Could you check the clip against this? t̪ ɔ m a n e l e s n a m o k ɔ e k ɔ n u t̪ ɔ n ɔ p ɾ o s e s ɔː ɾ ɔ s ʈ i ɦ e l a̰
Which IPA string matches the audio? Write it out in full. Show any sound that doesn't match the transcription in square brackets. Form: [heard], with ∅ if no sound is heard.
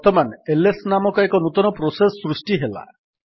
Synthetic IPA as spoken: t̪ ɔ m a n e l e s n a m [ɔ] k ɔ e k ɔ n u t̪ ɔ n ɔ p ɾ o s e s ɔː ɾ [u] s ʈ i ɦ e l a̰

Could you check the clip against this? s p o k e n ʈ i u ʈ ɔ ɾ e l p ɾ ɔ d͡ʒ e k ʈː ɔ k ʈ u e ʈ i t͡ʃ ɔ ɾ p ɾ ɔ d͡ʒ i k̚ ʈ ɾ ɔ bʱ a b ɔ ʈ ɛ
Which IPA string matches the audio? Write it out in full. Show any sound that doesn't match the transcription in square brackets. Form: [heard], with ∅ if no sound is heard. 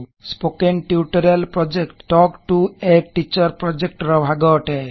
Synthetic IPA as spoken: s p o k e n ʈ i u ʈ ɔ ɾ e l p ɾ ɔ d͡ʒ e k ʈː ɔ k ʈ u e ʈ i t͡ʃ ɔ ɾ p ɾ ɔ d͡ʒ [e] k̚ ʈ ɾ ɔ bʱ a [ɡ] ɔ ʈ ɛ

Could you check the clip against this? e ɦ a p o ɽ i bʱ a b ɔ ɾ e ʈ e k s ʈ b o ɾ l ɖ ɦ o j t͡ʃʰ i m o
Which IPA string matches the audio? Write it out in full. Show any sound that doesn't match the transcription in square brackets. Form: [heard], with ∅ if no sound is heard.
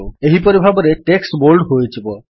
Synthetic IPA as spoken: e ɦ [i] p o [ɾ] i bʱ a b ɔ ɾ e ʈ e k s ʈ b o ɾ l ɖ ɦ o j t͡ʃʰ i [b] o

